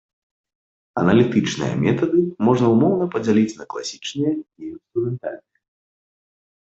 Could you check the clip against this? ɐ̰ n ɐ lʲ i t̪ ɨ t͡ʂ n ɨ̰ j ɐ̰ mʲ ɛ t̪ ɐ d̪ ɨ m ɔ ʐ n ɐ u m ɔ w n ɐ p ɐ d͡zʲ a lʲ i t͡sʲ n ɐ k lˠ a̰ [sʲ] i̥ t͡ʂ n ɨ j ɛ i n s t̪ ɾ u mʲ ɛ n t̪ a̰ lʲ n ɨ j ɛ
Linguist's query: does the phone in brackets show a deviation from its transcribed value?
no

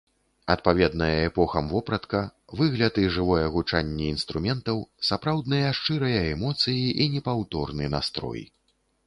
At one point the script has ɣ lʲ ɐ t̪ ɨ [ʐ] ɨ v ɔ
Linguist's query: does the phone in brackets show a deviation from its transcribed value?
no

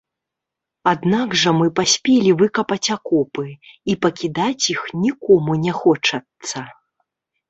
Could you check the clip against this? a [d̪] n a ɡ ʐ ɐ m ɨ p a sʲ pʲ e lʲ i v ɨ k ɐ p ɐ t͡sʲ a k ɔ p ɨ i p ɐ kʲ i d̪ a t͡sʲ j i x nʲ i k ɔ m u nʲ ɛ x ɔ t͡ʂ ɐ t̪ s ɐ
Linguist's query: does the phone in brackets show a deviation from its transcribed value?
no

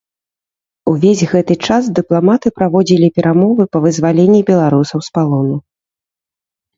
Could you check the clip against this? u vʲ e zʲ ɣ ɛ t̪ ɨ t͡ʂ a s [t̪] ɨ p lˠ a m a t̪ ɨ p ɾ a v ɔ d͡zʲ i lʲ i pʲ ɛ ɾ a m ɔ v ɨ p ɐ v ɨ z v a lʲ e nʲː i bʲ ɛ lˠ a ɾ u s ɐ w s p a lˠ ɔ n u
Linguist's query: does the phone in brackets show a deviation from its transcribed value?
yes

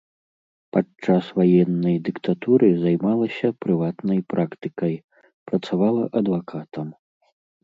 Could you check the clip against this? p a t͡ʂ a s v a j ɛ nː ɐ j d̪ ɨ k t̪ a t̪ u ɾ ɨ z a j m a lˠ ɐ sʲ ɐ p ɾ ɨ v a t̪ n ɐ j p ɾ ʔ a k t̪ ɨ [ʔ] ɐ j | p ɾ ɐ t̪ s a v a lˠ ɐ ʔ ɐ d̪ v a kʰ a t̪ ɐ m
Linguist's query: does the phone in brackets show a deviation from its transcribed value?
yes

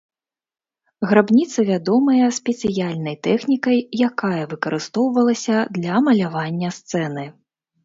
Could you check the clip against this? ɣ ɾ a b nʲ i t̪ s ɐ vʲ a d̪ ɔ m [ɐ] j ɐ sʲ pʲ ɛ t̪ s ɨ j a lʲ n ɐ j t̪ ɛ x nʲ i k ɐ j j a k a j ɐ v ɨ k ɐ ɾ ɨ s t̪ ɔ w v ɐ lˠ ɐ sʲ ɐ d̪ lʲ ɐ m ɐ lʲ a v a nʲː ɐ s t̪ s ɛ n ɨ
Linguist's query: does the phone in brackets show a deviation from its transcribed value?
no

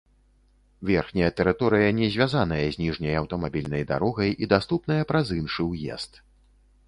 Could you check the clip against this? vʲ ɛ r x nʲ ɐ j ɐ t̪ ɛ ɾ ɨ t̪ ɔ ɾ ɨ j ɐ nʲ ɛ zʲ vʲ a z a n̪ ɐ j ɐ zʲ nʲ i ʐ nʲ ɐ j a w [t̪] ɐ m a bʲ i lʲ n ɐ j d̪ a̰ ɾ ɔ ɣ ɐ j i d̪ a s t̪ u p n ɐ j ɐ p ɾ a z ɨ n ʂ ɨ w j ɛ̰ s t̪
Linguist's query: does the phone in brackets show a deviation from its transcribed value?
no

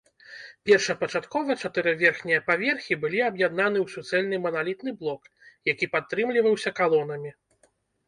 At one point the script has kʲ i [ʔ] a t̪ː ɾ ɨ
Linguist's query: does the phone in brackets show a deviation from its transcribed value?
yes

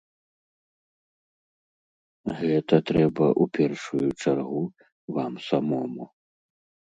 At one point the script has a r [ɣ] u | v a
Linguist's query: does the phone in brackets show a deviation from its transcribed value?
no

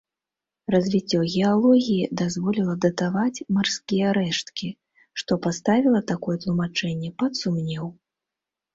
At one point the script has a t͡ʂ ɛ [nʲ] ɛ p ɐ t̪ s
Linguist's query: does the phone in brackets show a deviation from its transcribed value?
yes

